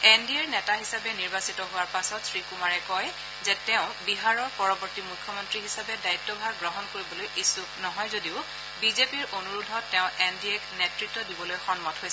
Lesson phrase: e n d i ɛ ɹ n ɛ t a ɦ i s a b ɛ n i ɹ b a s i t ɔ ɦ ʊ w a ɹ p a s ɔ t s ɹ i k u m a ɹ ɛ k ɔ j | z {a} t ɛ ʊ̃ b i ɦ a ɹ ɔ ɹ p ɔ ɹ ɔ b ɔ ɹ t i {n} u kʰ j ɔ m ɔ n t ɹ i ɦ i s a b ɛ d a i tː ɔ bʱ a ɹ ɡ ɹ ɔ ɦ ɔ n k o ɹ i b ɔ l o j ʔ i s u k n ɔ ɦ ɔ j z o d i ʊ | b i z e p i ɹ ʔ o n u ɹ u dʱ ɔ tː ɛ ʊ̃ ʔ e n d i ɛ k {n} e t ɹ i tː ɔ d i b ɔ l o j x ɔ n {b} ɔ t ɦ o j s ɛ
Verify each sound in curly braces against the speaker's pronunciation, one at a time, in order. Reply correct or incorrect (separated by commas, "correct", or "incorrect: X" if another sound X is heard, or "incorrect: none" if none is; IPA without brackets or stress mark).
incorrect: ɛ, incorrect: m, correct, incorrect: m